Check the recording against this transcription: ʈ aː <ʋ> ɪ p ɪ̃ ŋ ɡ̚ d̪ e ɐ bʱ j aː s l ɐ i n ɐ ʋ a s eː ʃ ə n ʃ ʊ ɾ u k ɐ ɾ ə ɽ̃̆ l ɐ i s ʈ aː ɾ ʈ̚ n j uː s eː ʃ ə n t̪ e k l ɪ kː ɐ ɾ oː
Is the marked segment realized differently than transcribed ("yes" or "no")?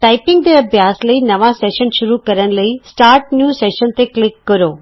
yes